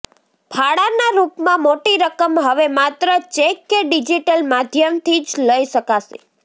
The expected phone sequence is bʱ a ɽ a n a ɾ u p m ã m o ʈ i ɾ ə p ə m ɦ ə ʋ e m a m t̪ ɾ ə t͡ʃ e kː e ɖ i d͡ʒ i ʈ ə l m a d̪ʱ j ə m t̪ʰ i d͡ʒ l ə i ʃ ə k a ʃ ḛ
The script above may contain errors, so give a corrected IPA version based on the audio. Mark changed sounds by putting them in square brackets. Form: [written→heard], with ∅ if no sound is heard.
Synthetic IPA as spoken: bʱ a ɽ a n a ɾ u p m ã m o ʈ i ɾ ə [p→k] ə m ɦ ə ʋ e m a [m→∅] t̪ ɾ ə t͡ʃ e kː e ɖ i d͡ʒ i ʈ ə l m a d̪ʱ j ə m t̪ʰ i d͡ʒ l ə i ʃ ə k a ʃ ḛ